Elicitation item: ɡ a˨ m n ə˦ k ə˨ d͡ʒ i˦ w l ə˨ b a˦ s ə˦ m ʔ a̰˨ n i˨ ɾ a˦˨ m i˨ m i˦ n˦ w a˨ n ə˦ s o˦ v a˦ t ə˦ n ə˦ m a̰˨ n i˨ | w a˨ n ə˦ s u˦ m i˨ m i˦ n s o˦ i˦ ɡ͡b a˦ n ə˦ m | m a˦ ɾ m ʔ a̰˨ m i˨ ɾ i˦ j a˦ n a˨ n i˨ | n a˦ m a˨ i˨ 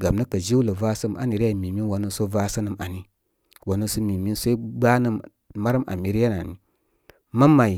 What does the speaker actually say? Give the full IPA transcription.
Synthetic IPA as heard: ɡ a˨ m n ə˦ k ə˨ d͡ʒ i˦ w l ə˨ v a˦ s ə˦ m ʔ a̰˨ n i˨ ɾ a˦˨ m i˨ m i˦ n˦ w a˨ n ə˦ s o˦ v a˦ s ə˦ n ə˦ m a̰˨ n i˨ | w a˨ n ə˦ s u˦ m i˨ m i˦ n s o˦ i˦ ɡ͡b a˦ n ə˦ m | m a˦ ɾ m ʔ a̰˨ m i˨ ɾ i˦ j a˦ n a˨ n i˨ | m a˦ m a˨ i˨